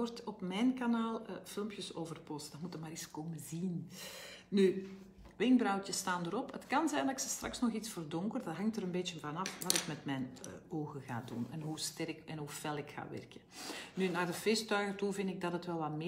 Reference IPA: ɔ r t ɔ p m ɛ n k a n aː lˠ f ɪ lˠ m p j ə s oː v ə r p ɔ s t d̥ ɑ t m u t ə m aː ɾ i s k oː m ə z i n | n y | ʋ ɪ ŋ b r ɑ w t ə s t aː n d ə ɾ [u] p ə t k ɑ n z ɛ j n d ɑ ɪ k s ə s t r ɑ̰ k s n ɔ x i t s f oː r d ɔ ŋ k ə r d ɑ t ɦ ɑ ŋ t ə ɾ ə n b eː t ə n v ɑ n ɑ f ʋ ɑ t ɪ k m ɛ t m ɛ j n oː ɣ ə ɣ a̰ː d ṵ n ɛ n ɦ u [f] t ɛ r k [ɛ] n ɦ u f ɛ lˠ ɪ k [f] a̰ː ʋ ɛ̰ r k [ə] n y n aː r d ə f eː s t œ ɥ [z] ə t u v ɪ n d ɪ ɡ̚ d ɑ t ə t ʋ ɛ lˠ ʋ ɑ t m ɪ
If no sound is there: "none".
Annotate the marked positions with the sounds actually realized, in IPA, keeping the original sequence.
ɔ, s, ɛ, x, ə, ɣ

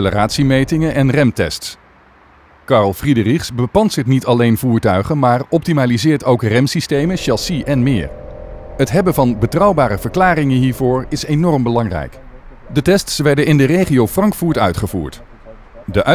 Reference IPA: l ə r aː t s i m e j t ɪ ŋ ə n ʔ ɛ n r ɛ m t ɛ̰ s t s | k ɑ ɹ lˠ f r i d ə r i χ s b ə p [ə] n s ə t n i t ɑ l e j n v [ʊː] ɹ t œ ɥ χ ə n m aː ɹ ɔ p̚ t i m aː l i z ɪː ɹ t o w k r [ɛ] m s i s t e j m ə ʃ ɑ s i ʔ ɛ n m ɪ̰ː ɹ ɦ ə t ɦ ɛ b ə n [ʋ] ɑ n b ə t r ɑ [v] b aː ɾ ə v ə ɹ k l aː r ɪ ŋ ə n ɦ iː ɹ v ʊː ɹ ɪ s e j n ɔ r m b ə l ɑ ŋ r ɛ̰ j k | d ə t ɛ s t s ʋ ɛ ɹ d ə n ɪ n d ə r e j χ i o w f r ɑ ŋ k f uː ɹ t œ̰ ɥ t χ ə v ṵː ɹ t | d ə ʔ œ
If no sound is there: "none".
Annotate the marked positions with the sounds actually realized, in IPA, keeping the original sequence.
ɑ, uː, ɛ, v, w

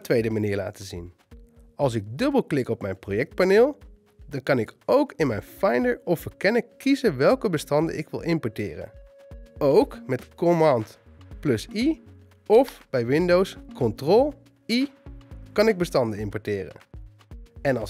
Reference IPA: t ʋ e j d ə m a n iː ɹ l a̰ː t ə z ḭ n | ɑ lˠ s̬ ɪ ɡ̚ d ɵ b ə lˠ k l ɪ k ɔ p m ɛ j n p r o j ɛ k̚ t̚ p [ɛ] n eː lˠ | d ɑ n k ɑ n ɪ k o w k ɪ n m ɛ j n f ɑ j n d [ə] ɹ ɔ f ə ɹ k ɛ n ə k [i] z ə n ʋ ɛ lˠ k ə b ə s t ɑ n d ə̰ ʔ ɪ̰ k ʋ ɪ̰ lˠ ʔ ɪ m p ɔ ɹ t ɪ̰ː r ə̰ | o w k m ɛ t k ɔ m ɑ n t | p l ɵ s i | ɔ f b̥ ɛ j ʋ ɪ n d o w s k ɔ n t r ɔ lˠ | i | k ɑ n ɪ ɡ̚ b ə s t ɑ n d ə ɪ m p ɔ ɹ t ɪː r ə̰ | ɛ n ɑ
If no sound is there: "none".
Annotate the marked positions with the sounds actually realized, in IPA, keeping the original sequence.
a, ə, i

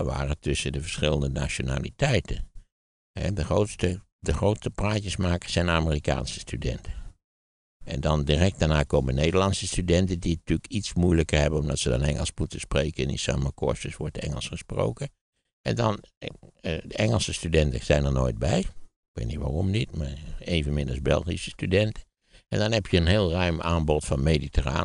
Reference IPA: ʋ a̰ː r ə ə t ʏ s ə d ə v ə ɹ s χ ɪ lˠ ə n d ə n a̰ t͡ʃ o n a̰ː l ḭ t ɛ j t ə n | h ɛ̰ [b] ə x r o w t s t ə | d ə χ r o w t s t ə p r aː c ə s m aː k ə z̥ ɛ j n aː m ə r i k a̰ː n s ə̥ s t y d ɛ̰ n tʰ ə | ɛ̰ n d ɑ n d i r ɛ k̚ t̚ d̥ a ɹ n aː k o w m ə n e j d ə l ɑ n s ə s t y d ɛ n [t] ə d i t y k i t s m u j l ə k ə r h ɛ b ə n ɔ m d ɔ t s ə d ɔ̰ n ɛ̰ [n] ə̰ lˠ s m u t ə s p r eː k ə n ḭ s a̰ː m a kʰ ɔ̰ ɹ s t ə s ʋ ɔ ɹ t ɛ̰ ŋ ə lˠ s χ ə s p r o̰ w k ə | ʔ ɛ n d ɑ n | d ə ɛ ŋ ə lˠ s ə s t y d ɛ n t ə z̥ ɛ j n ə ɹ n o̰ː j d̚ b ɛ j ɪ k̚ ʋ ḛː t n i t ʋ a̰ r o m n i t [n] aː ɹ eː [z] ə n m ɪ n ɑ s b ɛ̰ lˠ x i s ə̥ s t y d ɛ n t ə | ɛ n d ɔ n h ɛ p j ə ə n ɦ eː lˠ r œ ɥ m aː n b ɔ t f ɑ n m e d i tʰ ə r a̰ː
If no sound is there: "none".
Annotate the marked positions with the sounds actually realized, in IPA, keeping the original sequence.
d, t, ŋ, m, v

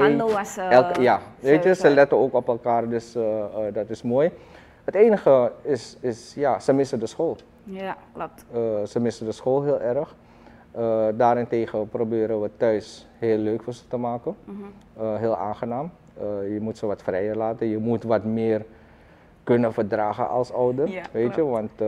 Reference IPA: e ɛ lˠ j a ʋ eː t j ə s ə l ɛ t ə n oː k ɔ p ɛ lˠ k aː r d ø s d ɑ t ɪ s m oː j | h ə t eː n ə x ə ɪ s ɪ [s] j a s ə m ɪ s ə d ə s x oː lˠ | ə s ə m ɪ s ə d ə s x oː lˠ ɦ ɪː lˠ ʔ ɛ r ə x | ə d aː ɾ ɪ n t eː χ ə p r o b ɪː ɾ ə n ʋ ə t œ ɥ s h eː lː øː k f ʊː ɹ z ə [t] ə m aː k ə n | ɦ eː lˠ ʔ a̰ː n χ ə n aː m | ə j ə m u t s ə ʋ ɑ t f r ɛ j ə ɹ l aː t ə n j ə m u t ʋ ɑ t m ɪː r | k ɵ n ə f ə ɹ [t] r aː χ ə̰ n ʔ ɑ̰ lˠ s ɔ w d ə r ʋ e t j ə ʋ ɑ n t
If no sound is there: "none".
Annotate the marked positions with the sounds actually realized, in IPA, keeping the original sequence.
s, t, d

